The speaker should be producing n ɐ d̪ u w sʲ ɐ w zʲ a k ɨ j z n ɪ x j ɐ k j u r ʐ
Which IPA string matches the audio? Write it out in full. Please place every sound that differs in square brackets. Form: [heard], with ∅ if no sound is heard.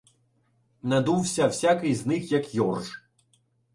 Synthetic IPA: n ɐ d̪ u w sʲ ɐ w [sʲ] a k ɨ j z n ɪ x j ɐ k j [ɔ] r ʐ